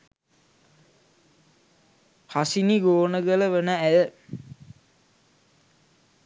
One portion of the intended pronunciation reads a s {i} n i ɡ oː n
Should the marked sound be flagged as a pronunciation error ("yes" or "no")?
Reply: no